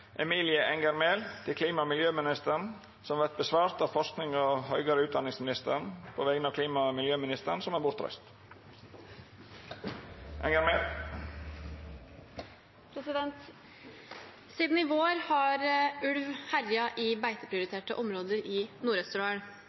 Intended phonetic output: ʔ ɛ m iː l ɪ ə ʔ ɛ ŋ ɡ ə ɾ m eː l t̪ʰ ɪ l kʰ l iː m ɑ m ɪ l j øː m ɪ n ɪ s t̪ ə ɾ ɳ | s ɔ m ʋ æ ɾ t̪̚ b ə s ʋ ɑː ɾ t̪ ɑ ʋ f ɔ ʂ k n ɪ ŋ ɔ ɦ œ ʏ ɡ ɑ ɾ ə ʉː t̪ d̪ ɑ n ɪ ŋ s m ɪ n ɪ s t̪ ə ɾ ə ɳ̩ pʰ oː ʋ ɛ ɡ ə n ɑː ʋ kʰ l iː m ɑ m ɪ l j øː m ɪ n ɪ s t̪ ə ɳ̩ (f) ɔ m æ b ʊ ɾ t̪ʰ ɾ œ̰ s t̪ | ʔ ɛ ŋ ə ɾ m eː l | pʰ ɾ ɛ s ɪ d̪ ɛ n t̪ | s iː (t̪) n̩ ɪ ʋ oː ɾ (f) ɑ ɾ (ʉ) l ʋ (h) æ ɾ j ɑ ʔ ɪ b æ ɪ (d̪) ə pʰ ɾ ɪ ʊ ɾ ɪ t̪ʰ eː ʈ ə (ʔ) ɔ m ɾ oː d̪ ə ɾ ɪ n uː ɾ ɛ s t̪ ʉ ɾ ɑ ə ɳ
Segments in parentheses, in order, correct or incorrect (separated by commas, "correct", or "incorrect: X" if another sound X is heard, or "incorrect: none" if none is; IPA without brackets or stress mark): incorrect: s, incorrect: d̪, incorrect: h, correct, correct, incorrect: t̪, correct